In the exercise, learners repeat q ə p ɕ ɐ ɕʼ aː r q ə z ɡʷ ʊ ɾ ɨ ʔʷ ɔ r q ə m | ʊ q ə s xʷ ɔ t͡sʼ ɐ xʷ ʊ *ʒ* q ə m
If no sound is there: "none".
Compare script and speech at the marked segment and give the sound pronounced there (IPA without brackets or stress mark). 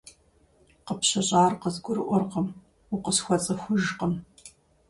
ʒ